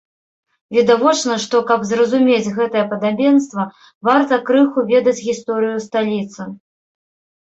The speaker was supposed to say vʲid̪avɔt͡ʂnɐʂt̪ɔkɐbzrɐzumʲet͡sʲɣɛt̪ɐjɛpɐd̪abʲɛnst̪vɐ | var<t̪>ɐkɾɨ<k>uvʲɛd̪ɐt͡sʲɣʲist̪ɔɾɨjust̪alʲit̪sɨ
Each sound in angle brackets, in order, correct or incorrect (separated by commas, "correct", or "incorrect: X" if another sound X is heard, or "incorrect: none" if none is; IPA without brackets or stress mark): correct, incorrect: x